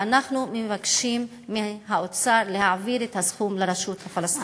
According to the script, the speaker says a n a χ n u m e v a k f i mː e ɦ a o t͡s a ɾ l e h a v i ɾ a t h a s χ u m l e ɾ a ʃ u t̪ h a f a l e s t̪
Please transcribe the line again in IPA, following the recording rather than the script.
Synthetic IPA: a n a χ n u m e v a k ʃ i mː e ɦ a o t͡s a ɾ l e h a v i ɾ e t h a s χ u m l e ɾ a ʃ u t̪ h a f a l a s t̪